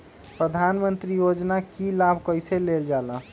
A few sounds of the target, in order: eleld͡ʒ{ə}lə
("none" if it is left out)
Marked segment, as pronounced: a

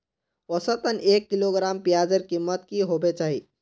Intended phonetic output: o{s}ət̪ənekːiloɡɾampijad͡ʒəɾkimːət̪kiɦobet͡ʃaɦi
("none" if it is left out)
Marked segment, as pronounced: s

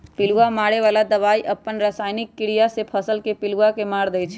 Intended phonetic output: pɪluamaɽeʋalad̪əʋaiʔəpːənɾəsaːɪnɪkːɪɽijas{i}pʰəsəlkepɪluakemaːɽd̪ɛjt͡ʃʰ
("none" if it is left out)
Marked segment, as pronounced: e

